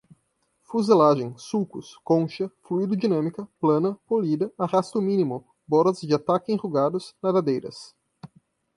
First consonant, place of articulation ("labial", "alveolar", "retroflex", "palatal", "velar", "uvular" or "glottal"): labial